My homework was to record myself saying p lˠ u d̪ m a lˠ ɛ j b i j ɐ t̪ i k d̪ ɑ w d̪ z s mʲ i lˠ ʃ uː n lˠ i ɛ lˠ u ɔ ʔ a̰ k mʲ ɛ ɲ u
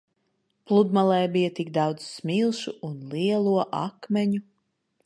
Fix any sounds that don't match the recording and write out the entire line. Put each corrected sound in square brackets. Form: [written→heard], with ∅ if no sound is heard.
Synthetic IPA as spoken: p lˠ u d̪ m a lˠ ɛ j b i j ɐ t̪ i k d̪ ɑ w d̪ z s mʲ i lˠ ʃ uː n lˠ i ɛ lˠ u ɔ ʔ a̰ k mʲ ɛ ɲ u

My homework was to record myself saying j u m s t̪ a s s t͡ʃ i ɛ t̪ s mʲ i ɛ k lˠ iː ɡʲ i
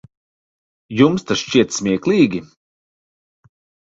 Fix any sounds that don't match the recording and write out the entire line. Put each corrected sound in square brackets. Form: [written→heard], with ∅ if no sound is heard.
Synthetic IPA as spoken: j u m s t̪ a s [s→ʃ] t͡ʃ i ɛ t̪ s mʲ i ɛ k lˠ iː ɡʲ i

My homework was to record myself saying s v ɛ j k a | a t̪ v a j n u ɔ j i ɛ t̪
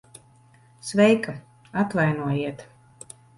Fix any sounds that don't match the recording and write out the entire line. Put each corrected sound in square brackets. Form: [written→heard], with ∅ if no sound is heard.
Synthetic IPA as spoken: s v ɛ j k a | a t̪ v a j n u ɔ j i ɛ t̪

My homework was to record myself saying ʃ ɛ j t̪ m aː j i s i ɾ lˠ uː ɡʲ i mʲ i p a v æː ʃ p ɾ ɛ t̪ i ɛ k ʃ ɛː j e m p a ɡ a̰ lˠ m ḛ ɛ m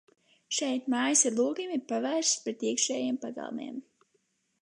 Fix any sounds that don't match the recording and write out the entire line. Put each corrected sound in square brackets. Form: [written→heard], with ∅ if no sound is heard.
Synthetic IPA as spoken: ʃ ɛ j t̪ m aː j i s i ɾ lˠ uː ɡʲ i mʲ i p a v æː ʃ p ɾ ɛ t̪ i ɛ k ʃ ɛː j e m p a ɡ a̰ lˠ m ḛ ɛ m

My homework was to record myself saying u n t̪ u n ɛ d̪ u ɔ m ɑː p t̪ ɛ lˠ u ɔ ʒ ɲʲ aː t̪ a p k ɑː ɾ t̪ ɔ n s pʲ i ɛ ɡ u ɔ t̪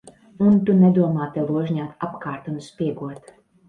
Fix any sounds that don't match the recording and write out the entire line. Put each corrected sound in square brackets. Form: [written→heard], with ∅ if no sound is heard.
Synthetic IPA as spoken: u n t̪ u n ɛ d̪ u ɔ m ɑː [p→∅] t̪ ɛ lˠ u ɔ ʒ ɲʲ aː t̪ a p k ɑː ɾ t̪ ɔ n s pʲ i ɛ ɡ u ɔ t̪

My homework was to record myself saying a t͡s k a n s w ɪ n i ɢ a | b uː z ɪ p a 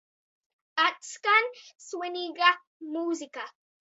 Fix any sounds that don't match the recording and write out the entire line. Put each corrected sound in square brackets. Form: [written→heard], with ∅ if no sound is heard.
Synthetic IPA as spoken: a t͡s k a n s w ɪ n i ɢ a | [b→m] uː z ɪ [p→k] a

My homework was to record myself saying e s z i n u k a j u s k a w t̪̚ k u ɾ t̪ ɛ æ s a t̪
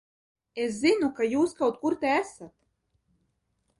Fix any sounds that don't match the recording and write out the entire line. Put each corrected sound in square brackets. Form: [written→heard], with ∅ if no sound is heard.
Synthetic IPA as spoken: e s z i n u k a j [u→uː] s k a w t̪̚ k u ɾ t̪ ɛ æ s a t̪

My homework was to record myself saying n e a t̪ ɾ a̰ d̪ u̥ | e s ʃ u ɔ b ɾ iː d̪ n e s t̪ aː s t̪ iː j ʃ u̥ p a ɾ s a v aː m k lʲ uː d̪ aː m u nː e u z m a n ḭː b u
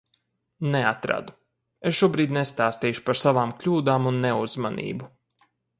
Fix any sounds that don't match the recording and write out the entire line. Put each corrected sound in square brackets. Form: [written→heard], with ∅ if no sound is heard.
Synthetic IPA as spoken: n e a t̪ ɾ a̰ d̪ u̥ | e s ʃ u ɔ b ɾ iː d̪ n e s t̪ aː s t̪ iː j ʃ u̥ p a ɾ s a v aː m k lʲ uː d̪ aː m u nː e u z m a n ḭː b u

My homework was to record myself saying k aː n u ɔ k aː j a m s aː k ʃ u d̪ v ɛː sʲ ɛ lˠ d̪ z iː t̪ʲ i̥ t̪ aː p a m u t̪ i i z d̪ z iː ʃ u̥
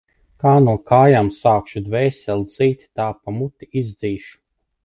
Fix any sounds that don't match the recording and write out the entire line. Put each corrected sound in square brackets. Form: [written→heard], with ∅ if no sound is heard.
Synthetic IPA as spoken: k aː n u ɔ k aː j a m s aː k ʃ u d̪ v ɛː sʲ ɛ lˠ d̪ z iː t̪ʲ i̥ t̪ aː p a m u t̪ i i z d̪ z iː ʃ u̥

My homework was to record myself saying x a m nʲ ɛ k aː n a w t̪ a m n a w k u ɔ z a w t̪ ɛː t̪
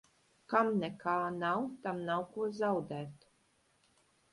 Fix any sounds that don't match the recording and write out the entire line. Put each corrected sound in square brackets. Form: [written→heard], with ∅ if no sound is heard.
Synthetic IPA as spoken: [x→k] a m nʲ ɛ k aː n a w t̪ a m n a w k u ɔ z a w [t̪→d̪] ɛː t̪

